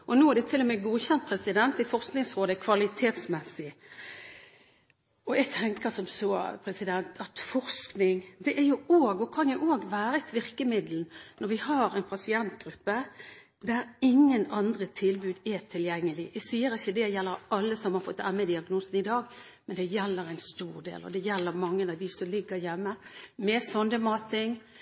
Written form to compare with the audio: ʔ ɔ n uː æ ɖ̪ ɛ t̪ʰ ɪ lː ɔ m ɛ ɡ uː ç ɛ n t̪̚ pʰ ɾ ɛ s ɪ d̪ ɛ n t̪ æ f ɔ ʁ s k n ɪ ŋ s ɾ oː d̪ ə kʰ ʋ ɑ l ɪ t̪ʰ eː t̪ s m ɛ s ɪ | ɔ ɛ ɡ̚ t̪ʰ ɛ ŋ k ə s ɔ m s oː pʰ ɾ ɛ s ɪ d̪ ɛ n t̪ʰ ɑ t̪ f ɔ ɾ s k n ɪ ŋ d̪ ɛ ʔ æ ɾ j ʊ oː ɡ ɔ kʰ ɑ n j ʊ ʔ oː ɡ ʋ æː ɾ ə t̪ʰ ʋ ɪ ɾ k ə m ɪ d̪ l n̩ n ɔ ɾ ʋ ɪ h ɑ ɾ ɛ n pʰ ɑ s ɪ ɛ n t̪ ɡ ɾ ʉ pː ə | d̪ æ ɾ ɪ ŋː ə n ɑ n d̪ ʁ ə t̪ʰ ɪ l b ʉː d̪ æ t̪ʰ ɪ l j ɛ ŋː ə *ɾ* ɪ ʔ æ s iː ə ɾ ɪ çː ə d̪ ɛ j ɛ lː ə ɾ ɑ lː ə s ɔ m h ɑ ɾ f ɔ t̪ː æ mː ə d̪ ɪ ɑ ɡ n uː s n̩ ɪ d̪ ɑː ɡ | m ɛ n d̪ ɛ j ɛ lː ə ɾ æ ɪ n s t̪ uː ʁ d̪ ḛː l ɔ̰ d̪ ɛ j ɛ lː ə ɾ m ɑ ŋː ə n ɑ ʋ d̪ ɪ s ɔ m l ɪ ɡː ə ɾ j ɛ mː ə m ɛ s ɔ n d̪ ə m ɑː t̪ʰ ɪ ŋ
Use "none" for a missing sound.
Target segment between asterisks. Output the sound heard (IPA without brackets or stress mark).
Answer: l